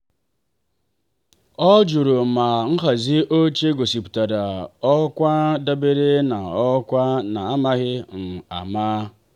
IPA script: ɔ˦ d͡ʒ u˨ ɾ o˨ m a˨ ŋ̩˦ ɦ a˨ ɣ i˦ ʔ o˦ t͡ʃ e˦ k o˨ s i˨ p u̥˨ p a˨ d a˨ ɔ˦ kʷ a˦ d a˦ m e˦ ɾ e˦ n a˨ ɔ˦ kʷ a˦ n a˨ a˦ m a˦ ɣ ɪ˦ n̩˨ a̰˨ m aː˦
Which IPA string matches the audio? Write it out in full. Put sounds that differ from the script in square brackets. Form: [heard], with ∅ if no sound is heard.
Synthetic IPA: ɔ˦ d͡ʒ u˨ ɾ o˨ m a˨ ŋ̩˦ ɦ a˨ [z] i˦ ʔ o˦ t͡ʃ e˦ [ɡ] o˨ s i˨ p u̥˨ [t] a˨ d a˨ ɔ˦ kʷ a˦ d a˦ [b] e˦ ɾ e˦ n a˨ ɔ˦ kʷ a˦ n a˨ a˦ m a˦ ɣ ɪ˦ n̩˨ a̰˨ m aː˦

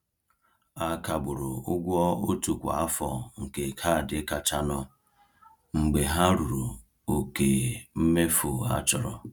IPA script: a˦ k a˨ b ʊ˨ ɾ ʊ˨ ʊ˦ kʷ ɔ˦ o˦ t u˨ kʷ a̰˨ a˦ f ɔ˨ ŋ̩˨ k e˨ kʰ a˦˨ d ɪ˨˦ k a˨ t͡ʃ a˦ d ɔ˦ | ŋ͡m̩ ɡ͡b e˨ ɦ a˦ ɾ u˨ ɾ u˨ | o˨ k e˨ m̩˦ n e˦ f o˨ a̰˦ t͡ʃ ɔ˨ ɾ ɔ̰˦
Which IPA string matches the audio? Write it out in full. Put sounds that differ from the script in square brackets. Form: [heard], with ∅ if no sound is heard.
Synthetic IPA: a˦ k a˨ b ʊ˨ ɾ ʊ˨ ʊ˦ [ɡʷ] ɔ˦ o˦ t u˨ kʷ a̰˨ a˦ f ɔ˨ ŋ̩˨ k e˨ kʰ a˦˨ d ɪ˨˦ k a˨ t͡ʃ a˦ [n] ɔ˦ | ŋ͡m̩ ɡ͡b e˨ ɦ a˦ ɾ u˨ ɾ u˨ | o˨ k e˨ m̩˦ [m] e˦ f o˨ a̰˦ t͡ʃ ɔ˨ ɾ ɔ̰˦

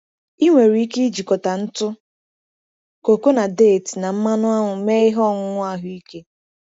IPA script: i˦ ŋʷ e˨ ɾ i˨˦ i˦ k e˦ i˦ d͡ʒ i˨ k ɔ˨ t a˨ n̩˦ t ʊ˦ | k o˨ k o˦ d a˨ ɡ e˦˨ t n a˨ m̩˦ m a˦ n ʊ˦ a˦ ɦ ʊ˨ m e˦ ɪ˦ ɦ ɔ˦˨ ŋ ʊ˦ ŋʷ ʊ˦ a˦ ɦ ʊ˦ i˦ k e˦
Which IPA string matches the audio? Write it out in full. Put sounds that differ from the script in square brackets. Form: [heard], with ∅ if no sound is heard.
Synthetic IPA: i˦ ŋʷ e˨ ɾ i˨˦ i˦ k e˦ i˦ d͡ʒ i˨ k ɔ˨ t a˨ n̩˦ t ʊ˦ | k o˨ k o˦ [n] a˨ [d] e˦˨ t n a˨ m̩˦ m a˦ n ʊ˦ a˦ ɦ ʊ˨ m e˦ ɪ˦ ɦ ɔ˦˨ ŋ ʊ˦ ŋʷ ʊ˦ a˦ ɦ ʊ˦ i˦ k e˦

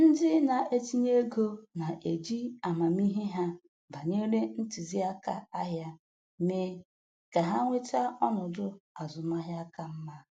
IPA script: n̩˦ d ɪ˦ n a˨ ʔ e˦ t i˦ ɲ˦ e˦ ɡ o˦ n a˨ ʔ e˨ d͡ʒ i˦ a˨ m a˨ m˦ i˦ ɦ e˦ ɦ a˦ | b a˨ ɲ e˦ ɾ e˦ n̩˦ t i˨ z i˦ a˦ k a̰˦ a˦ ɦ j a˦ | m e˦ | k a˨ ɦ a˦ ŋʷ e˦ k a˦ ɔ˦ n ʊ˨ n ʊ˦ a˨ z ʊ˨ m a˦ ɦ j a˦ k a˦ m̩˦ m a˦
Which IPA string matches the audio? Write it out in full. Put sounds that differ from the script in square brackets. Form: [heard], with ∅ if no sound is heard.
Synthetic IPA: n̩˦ d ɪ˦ n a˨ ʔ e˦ t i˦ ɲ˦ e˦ ɡ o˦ n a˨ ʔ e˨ d͡ʒ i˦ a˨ m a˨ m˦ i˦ ɦ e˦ ɦ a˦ | b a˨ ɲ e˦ ɾ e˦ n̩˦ t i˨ z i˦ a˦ k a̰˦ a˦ ɦ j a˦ | m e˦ | k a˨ ɦ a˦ ŋʷ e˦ [t] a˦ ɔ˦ n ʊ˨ [d] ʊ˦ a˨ z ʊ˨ m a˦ ɦ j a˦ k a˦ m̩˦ m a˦

